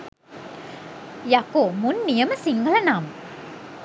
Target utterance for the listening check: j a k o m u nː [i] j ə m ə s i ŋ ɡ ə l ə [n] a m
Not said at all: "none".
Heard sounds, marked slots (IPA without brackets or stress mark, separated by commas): i, n